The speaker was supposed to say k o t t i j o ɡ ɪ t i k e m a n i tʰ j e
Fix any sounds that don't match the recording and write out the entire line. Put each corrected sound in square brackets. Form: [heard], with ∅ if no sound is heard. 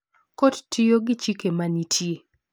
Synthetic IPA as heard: k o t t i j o ɡ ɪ [t͡ʃ] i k e m a n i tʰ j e

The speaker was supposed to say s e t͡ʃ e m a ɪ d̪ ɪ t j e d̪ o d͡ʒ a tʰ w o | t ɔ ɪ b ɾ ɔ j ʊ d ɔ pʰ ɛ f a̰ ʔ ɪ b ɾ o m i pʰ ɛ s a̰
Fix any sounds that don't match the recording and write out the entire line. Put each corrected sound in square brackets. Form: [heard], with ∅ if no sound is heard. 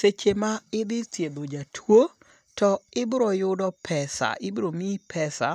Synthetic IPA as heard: s e t͡ʃ e m a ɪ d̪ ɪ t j e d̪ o d͡ʒ a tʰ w o | t ɔ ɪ b ɾ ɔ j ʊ d ɔ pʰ ɛ [s] a̰ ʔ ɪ b ɾ o m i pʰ ɛ s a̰

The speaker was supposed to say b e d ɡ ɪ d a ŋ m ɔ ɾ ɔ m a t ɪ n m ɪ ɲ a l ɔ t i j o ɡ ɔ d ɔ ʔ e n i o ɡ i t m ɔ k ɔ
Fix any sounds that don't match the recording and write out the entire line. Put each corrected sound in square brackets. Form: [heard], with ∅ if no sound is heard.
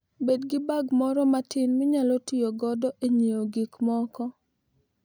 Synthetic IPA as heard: b e d ɡ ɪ [b] a [ɡ] m ɔ ɾ ɔ m a t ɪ n m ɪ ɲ a l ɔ t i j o ɡ ɔ d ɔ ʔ e [ɲ] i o ɡ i [k] m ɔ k ɔ

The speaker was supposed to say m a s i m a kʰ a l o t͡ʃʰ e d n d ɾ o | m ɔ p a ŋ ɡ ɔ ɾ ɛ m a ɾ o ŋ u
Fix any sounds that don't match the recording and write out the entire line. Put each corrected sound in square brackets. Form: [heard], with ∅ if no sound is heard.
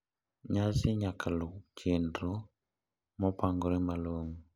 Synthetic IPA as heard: [ɲ] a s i [ɲ] a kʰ a l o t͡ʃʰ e [∅] n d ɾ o | m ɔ p a ŋ ɡ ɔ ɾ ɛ m a [l] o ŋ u

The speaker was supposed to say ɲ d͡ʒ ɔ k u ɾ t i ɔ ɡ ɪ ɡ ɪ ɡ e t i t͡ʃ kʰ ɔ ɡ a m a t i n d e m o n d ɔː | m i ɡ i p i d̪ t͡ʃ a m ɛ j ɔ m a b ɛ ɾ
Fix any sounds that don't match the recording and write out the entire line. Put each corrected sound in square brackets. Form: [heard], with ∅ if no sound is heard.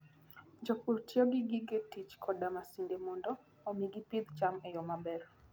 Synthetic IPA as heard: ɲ d͡ʒ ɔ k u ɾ t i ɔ ɡ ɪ ɡ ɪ ɡ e t i t͡ʃ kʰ ɔ [d] a m a [s] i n d e m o n d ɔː | m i ɡ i p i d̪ t͡ʃ a m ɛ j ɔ m a b ɛ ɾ

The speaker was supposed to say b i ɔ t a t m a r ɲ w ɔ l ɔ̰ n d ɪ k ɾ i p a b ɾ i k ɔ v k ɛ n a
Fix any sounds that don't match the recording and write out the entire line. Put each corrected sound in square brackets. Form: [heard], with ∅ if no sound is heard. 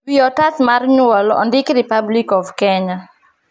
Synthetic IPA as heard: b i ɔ t a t m a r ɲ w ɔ l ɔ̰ n d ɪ k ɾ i p a b [l] i k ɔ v k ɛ [ɲ] a

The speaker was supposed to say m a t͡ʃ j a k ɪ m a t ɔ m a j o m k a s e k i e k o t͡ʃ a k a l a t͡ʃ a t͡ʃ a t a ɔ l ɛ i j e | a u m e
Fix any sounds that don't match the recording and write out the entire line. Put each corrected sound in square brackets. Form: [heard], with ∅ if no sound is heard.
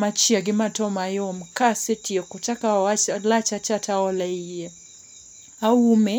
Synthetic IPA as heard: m a t͡ʃ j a [ɡ] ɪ m a t ɔ m a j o m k a s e [t] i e k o t͡ʃ a k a l a t͡ʃ a t͡ʃ a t a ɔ l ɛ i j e | a u m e

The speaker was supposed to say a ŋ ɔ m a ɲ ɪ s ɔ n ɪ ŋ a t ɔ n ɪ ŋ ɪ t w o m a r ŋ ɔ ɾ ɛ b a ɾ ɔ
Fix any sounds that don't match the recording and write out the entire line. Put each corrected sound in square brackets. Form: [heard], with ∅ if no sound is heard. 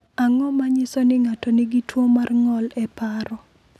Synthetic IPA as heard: a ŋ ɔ m a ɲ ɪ s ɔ n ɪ ŋ a t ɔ n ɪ [ɡ] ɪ t w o m a r ŋ ɔ [l] ɛ [p] a ɾ ɔ

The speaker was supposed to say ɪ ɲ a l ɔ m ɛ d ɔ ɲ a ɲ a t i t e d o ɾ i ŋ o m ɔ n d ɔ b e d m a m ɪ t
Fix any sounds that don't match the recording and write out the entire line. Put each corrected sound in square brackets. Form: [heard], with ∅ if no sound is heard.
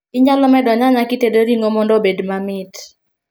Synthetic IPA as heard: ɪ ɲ a l ɔ m ɛ d ɔ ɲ a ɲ a [k] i t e d o ɾ i ŋ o m ɔ n d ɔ b e d m a m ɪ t

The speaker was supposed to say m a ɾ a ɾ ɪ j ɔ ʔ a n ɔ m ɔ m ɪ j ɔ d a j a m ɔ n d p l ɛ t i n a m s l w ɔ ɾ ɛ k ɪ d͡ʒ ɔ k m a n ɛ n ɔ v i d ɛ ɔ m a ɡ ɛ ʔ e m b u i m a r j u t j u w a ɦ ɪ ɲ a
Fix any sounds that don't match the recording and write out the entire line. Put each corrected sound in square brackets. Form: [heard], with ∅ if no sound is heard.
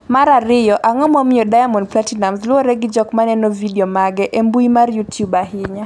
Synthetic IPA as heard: m a ɾ a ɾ ɪ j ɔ ʔ a [ŋ] ɔ m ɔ m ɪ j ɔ d a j a m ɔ n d p l [a] t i n a m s l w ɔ ɾ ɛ [ɡ] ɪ d͡ʒ ɔ k m a n ɛ n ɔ v i d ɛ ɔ m a ɡ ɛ ʔ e m b u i m a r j u t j u [b] a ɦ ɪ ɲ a

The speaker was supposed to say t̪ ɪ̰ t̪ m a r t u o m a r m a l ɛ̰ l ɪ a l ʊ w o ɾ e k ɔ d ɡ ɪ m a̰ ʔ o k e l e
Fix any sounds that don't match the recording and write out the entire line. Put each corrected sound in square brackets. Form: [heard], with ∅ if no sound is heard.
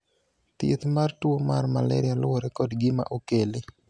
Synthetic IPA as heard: t̪ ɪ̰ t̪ m a r t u o m a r m a l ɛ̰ [ɾ] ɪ a l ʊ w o ɾ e k ɔ d ɡ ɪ m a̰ ʔ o k e l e

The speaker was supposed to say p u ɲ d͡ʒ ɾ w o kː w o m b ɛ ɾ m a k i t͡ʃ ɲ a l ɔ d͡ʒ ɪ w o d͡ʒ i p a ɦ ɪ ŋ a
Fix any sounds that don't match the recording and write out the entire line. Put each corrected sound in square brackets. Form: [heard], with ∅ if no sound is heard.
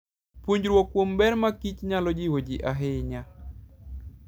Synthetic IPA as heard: p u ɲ d͡ʒ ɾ w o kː w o m b ɛ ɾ m a k i t͡ʃ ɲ a l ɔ d͡ʒ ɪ w o d͡ʒ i [ʔ] a ɦ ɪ [ɲ] a

